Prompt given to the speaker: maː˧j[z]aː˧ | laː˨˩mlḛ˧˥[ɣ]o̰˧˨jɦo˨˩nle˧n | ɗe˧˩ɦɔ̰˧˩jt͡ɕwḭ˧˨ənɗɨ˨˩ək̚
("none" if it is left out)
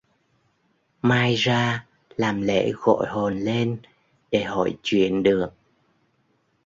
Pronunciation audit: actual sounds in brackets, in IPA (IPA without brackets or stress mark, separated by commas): z, ɣ